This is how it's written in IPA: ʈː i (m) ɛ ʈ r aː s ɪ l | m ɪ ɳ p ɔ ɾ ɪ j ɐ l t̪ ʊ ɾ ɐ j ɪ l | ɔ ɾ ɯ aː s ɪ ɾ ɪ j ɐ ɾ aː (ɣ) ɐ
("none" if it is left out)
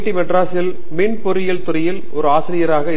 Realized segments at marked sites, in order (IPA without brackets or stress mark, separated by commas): m, ɣ